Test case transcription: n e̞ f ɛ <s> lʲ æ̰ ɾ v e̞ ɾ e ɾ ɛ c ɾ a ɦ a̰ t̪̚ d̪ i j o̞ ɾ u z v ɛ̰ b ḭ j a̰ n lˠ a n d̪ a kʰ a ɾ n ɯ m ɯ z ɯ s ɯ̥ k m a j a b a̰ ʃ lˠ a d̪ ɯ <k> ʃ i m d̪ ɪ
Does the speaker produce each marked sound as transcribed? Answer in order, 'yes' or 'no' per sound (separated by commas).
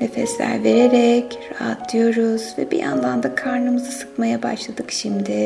yes, yes